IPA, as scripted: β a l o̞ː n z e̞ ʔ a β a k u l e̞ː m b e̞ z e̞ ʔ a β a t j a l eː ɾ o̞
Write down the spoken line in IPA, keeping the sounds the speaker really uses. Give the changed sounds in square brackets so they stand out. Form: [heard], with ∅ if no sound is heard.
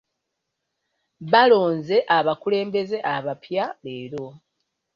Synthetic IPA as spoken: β a l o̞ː n z e̞ ʔ a β a k u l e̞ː m b e̞ z e̞ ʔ a β a [p] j a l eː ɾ o̞